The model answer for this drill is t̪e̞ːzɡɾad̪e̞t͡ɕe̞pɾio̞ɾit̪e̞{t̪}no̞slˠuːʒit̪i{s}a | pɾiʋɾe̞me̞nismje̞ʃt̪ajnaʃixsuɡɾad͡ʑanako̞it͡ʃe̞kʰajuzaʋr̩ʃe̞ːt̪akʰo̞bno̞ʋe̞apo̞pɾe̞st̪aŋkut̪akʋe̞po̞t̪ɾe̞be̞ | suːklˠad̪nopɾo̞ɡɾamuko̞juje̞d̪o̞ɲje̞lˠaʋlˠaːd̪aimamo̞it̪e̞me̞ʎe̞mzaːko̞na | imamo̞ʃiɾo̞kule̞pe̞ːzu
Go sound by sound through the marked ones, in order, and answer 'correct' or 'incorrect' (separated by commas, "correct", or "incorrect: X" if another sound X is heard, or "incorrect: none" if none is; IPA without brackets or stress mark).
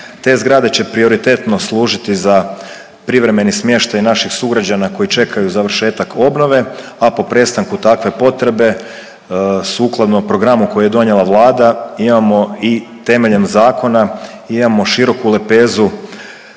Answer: correct, incorrect: z